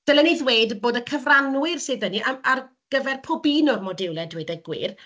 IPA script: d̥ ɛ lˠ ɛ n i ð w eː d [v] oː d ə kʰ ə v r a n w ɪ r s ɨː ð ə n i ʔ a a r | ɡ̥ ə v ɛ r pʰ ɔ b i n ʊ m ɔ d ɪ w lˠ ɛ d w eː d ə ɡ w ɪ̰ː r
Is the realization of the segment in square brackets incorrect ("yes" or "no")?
yes